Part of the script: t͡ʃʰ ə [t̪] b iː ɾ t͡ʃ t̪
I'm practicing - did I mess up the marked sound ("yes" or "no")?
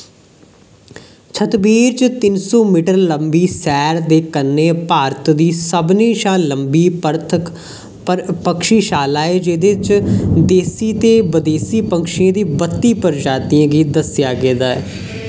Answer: no